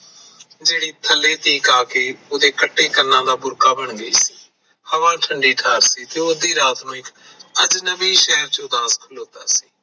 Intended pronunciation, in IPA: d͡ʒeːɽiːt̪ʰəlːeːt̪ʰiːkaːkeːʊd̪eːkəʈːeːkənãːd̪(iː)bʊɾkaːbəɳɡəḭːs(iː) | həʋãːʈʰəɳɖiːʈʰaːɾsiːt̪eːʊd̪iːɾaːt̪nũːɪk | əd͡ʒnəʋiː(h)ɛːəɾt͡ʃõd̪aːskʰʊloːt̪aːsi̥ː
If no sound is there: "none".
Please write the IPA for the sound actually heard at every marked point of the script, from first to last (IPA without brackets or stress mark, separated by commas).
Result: aː, iː, ʃ